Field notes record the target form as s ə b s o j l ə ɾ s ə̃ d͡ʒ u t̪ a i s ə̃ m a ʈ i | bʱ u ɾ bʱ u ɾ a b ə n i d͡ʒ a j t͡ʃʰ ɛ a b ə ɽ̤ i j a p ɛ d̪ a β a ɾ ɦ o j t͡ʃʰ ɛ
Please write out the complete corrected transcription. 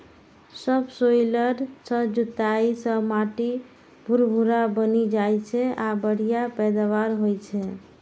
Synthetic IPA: s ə b s o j l ə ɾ s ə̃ d͡ʒ u t̪ a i s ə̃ m a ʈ i | bʱ u ɾ bʱ u ɾ a b ə n i d͡ʒ a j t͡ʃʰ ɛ a b ə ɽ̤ i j a p ɛ d̪ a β a ɾ ɦ o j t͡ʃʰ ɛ

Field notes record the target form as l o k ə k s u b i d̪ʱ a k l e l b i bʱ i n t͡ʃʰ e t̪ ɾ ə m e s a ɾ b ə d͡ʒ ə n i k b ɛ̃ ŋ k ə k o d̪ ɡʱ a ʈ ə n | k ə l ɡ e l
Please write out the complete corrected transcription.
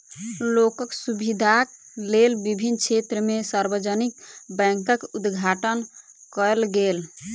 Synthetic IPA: l o k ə k s u b i d̪ʱ a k l e l b i bʱ i n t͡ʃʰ e t̪ ɾ ə m e s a ɾ b ə d͡ʒ ə n i k b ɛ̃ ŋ k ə k u d̪ ɡʱ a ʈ ə n | k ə l ɡ e l

